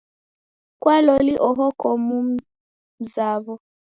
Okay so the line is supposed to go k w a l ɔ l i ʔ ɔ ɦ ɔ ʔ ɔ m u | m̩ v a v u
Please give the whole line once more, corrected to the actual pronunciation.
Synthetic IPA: k w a l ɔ l i ʔ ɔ ɦ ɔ k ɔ m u | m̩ z a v ɔ